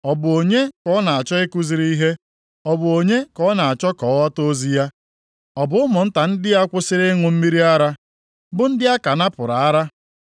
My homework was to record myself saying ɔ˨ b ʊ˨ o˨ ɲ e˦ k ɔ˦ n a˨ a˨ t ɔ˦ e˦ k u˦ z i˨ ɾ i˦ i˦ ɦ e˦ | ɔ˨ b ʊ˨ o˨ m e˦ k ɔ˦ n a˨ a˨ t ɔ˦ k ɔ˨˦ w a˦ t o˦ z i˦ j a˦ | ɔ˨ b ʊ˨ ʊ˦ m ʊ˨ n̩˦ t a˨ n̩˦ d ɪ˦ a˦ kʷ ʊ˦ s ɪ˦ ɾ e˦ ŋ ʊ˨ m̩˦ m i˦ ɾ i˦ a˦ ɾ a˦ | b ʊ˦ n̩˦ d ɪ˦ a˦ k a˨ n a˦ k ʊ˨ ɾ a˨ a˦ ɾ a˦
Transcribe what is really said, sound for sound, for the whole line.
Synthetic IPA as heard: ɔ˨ b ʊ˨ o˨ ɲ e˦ k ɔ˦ n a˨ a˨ t͡ʃ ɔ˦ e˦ k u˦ z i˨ ɾ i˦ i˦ ɦ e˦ | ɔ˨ b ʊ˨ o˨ ɲ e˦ k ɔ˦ n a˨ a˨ t͡ʃ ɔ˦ k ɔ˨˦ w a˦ t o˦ z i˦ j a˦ | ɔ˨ b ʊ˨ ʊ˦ m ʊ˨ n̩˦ t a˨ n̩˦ d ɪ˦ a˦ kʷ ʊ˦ s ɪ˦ ɾ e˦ ŋ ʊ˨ m̩˦ m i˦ ɾ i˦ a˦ ɾ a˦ | b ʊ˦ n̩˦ d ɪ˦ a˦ k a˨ n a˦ p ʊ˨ ɾ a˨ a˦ ɾ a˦